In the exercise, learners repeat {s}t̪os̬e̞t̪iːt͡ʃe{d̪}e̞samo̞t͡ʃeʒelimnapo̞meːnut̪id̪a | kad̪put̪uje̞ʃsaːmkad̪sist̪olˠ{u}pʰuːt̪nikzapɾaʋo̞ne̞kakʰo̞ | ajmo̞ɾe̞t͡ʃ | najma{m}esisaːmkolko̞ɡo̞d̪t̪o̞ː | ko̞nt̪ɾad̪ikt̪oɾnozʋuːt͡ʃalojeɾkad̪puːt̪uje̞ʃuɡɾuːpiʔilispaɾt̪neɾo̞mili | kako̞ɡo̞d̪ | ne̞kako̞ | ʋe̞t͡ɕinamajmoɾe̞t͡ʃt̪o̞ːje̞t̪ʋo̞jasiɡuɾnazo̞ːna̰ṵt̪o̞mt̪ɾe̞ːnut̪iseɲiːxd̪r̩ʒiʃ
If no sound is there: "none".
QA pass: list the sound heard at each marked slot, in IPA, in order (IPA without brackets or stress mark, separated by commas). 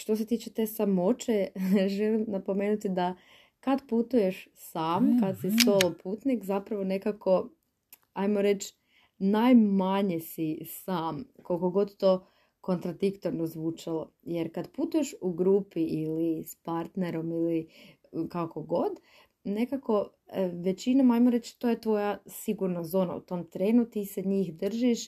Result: ʃ, t̪, o, ɲ